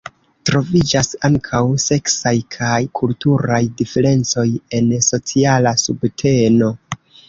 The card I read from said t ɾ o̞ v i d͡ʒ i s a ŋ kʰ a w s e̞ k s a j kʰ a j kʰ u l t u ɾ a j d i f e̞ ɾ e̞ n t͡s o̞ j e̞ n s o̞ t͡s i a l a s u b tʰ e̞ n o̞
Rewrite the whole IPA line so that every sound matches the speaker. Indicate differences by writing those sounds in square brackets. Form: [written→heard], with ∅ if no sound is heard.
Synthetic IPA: t ɾ o̞ v i d͡ʒ [i→a] s a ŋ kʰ a w s e̞ k s a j kʰ a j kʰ u l t u ɾ a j d i f e̞ ɾ e̞ n t͡s o̞ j e̞ n s o̞ t͡s i a l a s u b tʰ e̞ n o̞

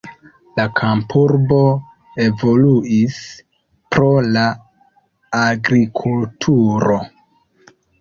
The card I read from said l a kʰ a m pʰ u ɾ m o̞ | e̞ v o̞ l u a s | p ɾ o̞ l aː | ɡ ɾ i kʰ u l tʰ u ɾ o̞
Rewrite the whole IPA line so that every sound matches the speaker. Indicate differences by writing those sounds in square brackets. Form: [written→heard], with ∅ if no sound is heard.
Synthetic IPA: l a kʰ a m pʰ u ɾ [m→b] o̞ | e̞ v o̞ l u [a→i] s | p ɾ o̞ l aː | ɡ ɾ i kʰ u l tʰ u ɾ o̞

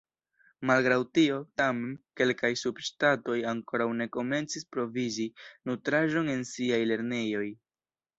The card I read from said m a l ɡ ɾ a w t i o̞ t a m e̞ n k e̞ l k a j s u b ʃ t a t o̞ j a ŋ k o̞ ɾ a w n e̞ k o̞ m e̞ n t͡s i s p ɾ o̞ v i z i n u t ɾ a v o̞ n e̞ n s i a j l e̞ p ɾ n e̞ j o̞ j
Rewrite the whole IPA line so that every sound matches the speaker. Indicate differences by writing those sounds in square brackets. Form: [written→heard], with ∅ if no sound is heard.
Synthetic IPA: m a l ɡ ɾ a w t i o̞ t a m e̞ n k e̞ l k a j s u b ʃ t a t o̞ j a ŋ k o̞ ɾ a w n e̞ k o̞ m e̞ n t͡s i s p ɾ o̞ v i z i n u t ɾ a [v→ʒ] o̞ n e̞ n s i a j l e̞ [p→∅] ɾ n e̞ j o̞ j

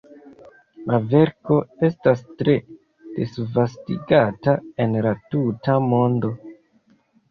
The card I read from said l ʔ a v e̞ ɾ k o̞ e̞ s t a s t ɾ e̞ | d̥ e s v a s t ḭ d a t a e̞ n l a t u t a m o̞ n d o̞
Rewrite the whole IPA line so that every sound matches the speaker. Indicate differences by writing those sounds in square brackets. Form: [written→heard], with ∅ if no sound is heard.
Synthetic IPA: l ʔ a v e̞ ɾ k o̞ e̞ s t a s t ɾ e̞ | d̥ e s v a s t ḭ [d→ɡ] a t a e̞ n l a t u t a m o̞ n d o̞

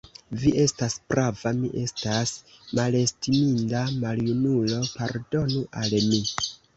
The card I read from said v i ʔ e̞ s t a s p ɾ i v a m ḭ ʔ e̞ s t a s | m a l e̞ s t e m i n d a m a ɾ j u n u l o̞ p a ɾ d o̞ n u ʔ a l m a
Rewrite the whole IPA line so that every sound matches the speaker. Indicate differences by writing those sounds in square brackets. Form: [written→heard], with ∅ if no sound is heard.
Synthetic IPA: v i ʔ e̞ s t a s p ɾ [i→a] v a m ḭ ʔ e̞ s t a s | m a l e̞ s t [e→i] m i n d a m a [ɾ→l] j u n u l o̞ p a ɾ d o̞ n u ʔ a l m [a→i]

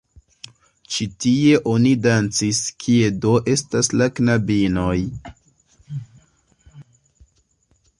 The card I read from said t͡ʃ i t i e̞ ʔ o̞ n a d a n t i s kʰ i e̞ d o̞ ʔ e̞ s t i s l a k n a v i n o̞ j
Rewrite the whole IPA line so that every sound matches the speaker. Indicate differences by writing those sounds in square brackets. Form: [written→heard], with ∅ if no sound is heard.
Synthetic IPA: t͡ʃ i t i e̞ ʔ o̞ n [a→i] d a n [t→t͡s] i s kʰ i e̞ d o̞ ʔ e̞ s t [i→a] s l a k n a [v→b] i n o̞ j

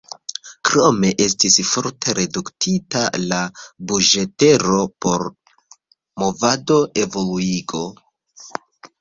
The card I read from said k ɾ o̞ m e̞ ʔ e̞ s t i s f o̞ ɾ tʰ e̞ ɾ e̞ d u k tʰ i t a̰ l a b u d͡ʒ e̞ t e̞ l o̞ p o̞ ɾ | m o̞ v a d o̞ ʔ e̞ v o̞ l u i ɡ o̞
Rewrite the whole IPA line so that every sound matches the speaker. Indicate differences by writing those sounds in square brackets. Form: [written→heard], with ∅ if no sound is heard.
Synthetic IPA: k ɾ o̞ m e̞ ʔ e̞ s t i s f o̞ ɾ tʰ e̞ ɾ e̞ d u k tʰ i t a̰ l a b u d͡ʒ e̞ t e̞ [l→ɾ] o̞ p o̞ ɾ | m o̞ v a d o̞ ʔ e̞ v o̞ l u i ɡ o̞

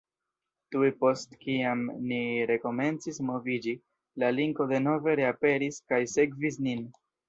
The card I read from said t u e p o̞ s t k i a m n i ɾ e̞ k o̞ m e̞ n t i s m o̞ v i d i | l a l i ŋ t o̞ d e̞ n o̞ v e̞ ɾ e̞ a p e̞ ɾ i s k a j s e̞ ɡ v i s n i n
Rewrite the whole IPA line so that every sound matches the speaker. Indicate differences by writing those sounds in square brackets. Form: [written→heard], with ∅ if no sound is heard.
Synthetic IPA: t u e p o̞ s t k i a m n i ɾ e̞ k o̞ m e̞ n [t→t͡s] i s m o̞ v i [d→d͡ʒ] i | l a l i ŋ [t→k] o̞ d e̞ n o̞ v e̞ ɾ e̞ a p e̞ ɾ i s k a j s e̞ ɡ v i s n i n

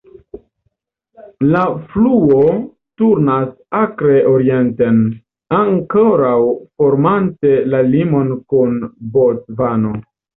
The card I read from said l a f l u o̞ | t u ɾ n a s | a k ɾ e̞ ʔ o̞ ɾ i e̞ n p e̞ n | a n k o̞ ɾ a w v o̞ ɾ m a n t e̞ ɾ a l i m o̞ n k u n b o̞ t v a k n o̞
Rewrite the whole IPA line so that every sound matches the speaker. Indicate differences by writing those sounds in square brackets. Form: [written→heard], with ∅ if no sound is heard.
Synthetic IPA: l a f l u o̞ | t u ɾ n a s | a k ɾ e̞ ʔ o̞ ɾ i e̞ n [p→t] e̞ n | a [n→ŋ] k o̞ ɾ a w [v→f] o̞ ɾ m a n t e̞ [ɾ→l] a l i m o̞ n k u n b o̞ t v a [k→∅] n o̞

